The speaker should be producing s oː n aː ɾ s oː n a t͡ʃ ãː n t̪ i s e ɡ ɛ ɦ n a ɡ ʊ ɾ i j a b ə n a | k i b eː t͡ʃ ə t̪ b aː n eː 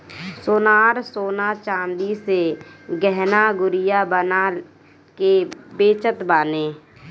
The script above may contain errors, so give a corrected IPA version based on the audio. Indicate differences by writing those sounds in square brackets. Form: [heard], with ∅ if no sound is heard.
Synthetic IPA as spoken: s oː n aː ɾ s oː n a t͡ʃ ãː n [d̪] i s e ɡ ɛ ɦ n a ɡ ʊ ɾ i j a b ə n a | k [e] b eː t͡ʃ ə t̪ b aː n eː